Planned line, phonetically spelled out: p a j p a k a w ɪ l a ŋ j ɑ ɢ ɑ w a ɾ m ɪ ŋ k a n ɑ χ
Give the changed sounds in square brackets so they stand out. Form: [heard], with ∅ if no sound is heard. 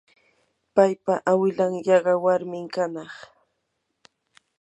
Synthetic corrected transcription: p a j p a [ʔ] a w ɪ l a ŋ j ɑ ɢ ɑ w a ɾ m ɪ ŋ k a n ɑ χ